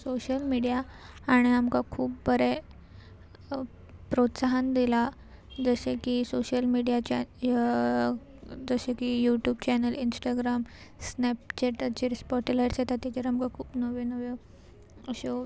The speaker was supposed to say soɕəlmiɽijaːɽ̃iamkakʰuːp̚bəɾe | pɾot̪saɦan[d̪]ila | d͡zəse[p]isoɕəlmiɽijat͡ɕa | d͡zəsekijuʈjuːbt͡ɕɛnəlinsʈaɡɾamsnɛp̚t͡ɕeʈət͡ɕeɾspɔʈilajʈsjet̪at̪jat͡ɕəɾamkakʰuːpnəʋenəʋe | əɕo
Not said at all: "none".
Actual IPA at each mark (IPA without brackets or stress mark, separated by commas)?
d̪, k